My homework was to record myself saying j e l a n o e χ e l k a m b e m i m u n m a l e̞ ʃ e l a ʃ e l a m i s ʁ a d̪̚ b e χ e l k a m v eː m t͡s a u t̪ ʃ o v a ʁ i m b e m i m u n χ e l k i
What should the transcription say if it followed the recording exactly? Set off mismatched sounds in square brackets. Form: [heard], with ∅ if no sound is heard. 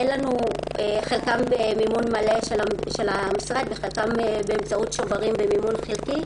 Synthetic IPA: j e l a n [u] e χ e l k a m b e m i m u n m a l e̞ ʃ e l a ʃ e l a m i s ʁ a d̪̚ b e χ e l k a m [b] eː m t͡s a u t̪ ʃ o v a ʁ i m b e m i m u n χ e l k i

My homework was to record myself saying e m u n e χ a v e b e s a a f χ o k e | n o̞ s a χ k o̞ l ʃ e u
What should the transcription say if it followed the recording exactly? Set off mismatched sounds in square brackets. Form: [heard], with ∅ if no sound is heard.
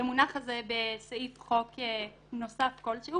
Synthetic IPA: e m u n [a] χ a [z] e b e s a [i] f χ o k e | n o̞ s a [f] k o̞ l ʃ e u

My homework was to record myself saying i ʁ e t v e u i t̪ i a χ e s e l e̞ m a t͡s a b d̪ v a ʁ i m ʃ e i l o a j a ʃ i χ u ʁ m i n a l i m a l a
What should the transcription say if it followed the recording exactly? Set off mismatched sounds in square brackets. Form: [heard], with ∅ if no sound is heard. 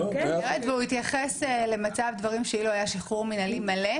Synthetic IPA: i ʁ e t v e u i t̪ [j] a χ e s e l e̞ m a t͡s a [v] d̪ v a ʁ i m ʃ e i l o a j a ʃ i χ u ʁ m i n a l i m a l [e]

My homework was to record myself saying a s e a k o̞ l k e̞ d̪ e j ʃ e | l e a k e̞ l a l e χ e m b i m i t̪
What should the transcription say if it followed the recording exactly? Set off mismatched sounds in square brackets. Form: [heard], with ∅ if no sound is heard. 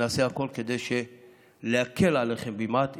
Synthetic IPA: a s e a k o̞ l k e̞ d̪ e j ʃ e | l e a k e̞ l a l e χ e m b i m [a] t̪

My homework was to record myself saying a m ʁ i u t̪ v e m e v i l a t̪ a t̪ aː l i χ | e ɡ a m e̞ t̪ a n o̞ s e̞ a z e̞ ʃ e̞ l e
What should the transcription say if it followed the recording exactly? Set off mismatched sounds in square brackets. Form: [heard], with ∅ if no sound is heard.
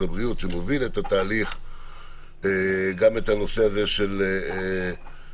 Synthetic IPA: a [b] ʁ i u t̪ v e m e v i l [e] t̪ a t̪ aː l i χ | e ɡ a m e̞ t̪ a n o̞ s e̞ a z e̞ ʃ e̞ l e

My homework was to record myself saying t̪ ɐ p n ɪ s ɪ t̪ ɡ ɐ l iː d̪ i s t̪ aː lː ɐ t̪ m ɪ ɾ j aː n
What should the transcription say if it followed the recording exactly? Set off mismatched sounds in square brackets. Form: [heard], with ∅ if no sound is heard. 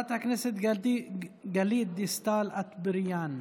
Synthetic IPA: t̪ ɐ [k] n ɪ s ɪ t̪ ɡ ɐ l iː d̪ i s t̪ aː [l] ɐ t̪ [b] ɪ ɾ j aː n

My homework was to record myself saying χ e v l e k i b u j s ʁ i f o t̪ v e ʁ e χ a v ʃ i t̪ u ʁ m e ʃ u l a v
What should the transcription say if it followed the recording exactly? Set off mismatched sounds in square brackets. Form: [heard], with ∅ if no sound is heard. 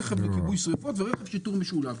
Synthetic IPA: χ e v l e k i b u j s ʁ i f o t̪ v e ʁ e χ [e] v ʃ i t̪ u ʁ m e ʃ u l a v

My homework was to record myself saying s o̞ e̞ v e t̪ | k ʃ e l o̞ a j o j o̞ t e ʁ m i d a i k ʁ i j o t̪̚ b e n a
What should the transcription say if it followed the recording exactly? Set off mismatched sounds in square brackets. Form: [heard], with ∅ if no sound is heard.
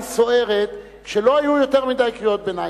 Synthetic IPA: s o̞ e̞ [ʁ] e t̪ | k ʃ e l o̞ a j [u] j o̞ t e ʁ m i d a [j] k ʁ i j o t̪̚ b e n a

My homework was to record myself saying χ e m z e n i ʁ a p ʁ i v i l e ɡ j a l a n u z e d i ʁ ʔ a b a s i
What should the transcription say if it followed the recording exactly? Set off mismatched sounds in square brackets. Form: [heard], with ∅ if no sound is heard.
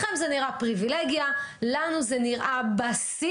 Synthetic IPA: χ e m z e n i ʁ a p ʁ i v i l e ɡ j a l a n u z e [n] i ʁ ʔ a b a s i

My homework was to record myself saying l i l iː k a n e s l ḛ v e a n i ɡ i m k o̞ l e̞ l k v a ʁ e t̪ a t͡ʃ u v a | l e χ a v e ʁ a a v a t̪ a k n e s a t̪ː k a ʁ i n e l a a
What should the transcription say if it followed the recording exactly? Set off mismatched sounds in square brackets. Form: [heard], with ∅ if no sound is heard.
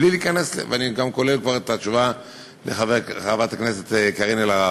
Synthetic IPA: l i l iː k a n e s l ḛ v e a n i ɡ [a] m k o̞ l e̞ l k v a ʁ e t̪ a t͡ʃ u v a | l e χ a v e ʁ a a v a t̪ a k n e s [e] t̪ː k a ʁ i n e l a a

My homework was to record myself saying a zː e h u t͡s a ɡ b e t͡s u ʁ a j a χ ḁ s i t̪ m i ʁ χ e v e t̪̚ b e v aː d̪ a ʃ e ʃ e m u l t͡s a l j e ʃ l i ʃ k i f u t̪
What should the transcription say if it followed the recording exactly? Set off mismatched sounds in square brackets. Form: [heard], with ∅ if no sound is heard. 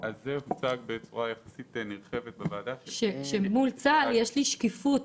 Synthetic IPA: a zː e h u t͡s a ɡ b e t͡s u ʁ a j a χ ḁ s i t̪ [n] i ʁ χ e v e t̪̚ b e v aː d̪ a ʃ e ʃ e m u l t͡s a l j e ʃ l i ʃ k i f u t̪

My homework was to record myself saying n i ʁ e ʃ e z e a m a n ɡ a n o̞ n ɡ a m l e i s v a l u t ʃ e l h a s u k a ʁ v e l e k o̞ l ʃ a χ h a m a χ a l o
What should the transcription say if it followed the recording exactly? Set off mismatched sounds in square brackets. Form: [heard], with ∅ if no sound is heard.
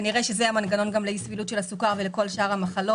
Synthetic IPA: n i ʁ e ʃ e z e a m a n ɡ a n o̞ n ɡ a m l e i s v [i] l u t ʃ e l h a s u k a ʁ v e l e k o̞ l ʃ a [ʁ] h a m a χ a l o

